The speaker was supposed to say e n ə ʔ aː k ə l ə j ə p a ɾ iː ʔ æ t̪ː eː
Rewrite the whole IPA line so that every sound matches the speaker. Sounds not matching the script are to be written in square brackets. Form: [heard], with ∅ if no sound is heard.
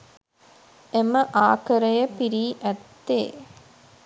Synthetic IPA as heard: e [m] ə ʔ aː k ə [ɾ] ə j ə p [i] ɾ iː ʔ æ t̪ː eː